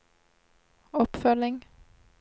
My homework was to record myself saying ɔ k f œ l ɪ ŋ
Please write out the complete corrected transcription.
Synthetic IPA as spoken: ɔ p f œ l ɪ ŋ